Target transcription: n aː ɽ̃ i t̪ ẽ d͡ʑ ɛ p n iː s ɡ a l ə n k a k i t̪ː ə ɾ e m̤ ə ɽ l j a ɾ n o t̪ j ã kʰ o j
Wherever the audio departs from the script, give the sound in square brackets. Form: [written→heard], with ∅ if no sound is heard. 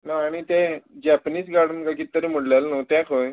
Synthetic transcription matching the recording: n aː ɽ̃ i t̪ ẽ d͡ʑ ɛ p n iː s ɡ a [l→ɽ] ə n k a k i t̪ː ə ɾ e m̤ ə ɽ l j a [ɾ→l] n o t̪ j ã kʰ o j